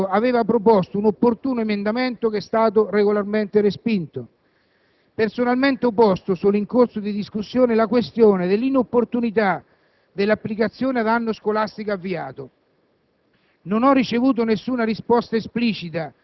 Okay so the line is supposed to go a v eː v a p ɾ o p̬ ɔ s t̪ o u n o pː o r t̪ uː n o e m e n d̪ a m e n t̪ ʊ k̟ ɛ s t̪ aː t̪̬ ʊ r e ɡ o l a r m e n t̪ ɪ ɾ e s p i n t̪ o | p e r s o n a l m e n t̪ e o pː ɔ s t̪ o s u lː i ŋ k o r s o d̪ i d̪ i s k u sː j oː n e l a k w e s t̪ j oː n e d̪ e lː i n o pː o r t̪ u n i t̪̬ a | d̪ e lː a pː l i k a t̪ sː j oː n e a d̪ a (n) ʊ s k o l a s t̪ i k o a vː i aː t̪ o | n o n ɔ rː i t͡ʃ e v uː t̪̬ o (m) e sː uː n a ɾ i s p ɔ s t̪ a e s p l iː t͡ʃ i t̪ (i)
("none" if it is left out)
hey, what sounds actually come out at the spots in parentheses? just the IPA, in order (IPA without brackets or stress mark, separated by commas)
nː, n, a